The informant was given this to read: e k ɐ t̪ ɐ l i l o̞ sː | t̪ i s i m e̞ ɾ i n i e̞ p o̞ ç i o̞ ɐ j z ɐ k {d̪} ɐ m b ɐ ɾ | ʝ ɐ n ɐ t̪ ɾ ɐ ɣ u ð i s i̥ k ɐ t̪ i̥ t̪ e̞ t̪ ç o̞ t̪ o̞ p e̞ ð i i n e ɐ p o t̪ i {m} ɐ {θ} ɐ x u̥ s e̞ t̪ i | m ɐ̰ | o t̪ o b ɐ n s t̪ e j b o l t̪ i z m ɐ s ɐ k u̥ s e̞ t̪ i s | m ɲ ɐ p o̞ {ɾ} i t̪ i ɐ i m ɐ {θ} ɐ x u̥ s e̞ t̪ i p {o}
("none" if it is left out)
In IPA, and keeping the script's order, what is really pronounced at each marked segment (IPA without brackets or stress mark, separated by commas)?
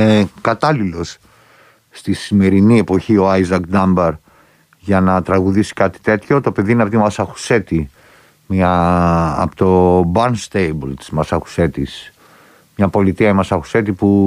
d̪, m, s, l, s, u